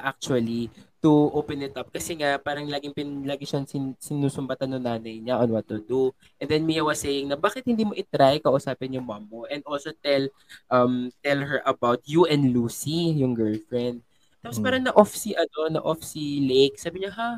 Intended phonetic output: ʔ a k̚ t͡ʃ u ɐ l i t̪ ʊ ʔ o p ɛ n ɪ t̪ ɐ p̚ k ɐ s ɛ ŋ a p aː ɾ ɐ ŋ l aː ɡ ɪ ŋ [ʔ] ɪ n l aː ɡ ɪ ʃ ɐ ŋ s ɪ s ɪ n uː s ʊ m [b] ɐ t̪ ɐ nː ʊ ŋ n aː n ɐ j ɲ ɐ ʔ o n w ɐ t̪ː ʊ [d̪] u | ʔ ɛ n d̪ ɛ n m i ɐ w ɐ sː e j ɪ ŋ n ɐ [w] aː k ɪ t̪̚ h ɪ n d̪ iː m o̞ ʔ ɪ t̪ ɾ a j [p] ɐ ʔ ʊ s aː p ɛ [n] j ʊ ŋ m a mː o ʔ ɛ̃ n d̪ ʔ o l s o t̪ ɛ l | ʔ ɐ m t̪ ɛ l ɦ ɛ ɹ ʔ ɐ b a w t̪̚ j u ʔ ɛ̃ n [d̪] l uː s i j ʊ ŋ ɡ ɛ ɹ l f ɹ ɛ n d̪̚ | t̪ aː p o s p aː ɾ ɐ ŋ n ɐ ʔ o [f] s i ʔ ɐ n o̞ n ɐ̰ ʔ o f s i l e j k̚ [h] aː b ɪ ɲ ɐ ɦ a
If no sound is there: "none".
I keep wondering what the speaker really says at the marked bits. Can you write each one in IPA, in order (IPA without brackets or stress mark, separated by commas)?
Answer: p, b, d̪, b, k, n, d̪, f, s